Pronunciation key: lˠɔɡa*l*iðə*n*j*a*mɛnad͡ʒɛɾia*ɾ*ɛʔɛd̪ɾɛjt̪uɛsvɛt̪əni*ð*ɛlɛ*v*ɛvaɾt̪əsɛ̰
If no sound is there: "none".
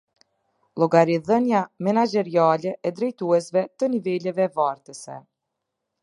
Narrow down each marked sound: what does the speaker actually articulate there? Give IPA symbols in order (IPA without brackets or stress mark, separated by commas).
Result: ɾ, n, a, l, v, v